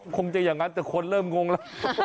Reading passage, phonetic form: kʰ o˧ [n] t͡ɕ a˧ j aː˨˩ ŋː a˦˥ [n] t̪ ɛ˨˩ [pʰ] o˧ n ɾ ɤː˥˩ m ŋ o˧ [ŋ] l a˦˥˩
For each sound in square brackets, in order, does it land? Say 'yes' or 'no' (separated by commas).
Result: no, yes, no, yes